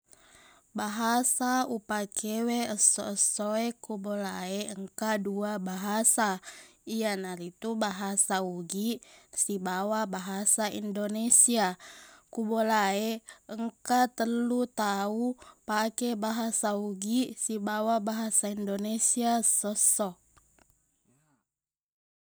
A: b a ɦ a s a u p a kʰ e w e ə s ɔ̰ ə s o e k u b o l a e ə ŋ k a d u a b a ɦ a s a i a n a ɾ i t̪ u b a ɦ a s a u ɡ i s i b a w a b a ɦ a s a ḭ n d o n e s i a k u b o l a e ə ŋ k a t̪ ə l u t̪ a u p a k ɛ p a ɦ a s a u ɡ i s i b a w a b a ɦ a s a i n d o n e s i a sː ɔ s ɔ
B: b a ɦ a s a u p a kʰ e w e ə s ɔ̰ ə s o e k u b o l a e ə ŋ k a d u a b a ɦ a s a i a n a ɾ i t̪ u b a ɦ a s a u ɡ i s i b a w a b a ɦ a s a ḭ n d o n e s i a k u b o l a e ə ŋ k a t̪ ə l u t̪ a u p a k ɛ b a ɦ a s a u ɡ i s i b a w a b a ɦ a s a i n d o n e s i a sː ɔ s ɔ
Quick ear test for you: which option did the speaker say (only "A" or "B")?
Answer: B